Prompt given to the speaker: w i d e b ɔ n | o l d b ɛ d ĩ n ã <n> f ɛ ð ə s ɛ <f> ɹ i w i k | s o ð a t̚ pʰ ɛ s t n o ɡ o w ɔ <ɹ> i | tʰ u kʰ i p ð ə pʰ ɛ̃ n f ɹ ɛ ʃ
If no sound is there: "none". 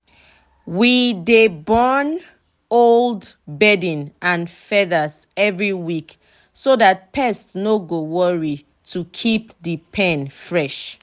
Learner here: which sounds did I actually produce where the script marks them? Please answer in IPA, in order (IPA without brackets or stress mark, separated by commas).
n, v, ɹ